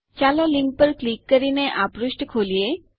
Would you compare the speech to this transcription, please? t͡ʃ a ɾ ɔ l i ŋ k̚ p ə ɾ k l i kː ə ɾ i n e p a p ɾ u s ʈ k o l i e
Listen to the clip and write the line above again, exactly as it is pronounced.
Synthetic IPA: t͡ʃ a l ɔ l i ŋ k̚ p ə ɾ k l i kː ə ɾ i n e ʔ a p ɾ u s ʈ kʰ o l i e